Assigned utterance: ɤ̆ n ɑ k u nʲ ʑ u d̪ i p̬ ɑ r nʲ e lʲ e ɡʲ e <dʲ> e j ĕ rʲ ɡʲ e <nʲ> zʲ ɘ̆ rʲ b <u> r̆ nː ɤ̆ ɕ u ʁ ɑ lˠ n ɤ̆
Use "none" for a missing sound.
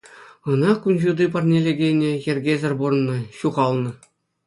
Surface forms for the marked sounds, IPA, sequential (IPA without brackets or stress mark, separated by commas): nʲ, none, u